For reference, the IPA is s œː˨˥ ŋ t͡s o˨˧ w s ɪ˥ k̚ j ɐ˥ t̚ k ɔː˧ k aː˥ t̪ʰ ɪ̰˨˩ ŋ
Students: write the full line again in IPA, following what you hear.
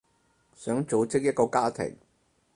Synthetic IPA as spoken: s œː˨˥ ŋ t͡s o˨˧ w t͡s ɪ˥ k̚ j ɐ˥ t̚ k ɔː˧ k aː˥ t̪ʰ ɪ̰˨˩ ŋ